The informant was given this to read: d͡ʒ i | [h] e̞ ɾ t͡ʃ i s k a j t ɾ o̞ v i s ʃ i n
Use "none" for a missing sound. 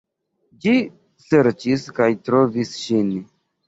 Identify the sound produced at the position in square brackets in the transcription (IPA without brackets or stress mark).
s